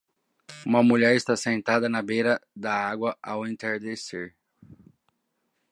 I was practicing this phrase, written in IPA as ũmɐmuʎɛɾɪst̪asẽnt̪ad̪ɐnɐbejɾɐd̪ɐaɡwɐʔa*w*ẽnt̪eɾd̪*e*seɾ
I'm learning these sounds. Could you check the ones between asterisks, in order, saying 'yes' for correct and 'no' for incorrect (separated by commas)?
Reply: yes, yes